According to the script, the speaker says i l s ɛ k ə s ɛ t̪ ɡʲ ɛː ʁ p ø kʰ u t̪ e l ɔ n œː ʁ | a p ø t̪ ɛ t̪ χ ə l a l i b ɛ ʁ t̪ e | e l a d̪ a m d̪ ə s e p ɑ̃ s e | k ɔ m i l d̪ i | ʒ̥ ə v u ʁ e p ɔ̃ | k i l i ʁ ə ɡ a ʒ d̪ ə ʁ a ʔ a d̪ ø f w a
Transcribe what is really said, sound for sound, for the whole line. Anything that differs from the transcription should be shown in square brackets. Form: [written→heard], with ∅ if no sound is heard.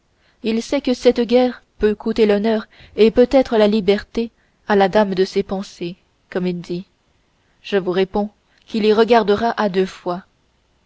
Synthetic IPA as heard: i l s ɛ k ə s ɛ t̪ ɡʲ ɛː ʁ p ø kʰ u t̪ e l ɔ n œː ʁ | [a→e] p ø t̪ ɛ t̪ χ ə l a l i b ɛ ʁ t̪ e | [e→a] l a d̪ a m d̪ ə s e p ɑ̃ s e | k ɔ m i l d̪ i | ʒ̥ ə v u ʁ e p ɔ̃ | k i l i ʁ ə ɡ a [ʒ→ʁ] d̪ ə ʁ a ʔ a d̪ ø f w a